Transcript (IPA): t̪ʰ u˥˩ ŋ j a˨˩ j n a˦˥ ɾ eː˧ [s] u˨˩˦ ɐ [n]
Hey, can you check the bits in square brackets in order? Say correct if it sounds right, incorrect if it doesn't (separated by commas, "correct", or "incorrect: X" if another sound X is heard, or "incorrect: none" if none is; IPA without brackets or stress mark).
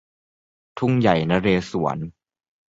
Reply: correct, correct